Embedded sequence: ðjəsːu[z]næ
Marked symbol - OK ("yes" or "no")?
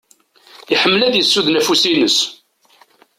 no